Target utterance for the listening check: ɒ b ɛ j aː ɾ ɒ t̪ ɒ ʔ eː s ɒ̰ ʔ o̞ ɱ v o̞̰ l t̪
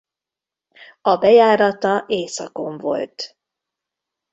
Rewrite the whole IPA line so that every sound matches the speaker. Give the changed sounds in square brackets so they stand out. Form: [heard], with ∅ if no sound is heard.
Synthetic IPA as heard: ɒ b ɛ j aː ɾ ɒ t̪ ɒ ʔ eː s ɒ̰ [k] o̞ ɱ v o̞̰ l t̪